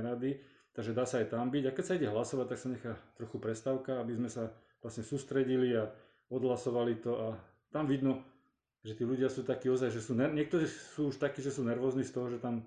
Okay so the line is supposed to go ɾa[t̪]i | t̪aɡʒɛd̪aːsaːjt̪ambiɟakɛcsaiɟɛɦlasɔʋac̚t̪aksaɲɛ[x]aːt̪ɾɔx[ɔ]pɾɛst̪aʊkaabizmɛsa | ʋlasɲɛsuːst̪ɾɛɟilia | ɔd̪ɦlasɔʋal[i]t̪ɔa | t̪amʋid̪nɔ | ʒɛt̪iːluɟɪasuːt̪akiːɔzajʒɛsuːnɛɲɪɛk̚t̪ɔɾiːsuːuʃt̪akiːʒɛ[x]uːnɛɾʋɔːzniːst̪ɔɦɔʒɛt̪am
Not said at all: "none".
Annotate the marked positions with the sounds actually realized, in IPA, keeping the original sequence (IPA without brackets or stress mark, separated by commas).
d̪, x, u, i, s